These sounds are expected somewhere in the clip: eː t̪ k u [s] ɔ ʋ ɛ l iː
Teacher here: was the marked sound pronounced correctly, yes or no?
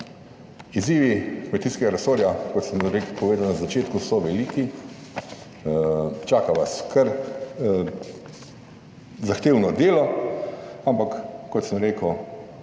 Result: yes